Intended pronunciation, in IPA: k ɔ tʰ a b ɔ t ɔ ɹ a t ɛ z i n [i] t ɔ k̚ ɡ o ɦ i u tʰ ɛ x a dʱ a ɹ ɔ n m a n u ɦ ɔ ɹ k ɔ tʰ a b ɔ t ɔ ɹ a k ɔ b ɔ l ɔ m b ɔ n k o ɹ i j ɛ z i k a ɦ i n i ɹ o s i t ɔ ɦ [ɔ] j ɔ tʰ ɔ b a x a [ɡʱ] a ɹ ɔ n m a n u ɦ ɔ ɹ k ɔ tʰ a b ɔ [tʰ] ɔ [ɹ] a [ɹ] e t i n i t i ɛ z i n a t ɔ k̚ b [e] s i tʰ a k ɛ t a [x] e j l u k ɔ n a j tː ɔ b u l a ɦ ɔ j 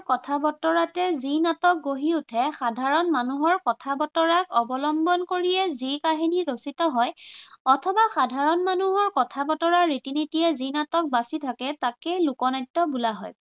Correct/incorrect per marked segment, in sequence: incorrect, correct, incorrect, incorrect, correct, correct, incorrect, incorrect

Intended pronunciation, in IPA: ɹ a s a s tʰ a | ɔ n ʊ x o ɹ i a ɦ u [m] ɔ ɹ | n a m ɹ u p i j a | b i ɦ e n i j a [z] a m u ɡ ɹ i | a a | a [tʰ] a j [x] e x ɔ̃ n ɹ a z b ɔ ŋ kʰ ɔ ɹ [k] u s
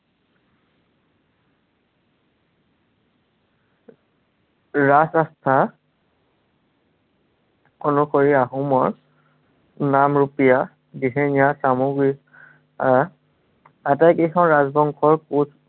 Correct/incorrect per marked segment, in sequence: correct, incorrect, incorrect, incorrect, correct

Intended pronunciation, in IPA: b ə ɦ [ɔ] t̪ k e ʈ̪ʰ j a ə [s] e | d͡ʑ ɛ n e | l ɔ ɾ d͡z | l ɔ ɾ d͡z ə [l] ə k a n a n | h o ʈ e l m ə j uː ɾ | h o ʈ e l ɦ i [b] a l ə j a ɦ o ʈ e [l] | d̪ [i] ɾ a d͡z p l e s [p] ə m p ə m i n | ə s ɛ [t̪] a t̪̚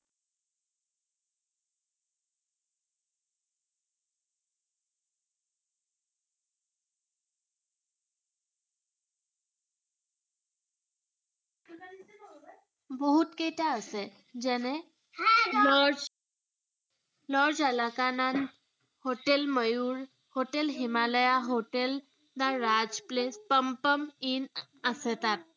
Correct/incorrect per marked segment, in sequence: incorrect, correct, correct, incorrect, correct, incorrect, correct, correct

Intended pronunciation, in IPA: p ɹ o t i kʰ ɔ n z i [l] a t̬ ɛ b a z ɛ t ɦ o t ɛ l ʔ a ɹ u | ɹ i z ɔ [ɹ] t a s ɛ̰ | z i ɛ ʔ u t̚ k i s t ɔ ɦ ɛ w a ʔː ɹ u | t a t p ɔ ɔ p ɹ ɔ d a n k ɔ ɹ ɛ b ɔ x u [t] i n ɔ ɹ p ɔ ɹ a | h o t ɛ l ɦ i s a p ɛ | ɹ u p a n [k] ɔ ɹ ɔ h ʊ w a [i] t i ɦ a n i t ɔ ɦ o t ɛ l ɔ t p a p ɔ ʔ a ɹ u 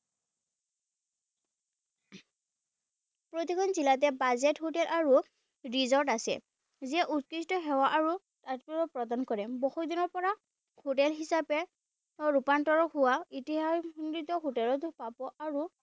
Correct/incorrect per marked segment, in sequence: correct, correct, incorrect, incorrect, correct

